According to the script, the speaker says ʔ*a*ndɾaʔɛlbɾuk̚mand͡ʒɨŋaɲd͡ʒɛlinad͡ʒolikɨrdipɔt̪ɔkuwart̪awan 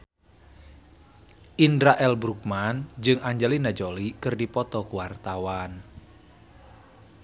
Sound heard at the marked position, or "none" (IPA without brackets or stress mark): i